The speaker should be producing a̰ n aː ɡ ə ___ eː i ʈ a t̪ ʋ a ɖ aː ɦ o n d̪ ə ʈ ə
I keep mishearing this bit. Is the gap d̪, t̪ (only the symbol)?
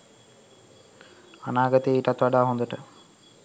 t̪